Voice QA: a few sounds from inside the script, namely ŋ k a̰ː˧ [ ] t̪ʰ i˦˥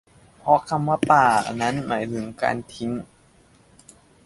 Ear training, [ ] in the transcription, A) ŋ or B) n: B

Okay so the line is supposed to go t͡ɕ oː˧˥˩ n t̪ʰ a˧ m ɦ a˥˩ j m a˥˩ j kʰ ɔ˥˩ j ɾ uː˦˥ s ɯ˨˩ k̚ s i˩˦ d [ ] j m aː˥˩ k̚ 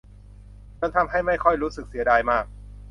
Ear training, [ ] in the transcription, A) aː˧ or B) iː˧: A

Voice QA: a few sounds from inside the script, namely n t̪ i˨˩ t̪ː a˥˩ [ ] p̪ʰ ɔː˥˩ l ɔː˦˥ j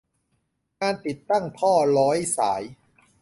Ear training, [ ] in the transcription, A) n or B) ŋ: B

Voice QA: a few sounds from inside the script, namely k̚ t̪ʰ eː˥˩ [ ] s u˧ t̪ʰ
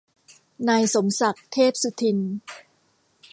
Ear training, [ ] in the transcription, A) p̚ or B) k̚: A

